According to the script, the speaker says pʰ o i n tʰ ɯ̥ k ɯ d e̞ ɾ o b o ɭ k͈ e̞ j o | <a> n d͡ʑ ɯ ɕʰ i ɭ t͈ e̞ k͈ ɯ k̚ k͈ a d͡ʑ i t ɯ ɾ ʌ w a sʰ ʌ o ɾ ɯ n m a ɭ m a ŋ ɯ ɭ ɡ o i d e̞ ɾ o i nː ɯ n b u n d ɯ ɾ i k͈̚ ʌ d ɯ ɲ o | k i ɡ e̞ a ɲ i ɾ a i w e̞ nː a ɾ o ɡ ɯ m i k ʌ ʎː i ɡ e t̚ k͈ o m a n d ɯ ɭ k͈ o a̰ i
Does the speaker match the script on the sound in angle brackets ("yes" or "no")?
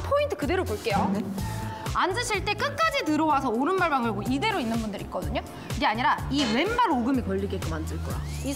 yes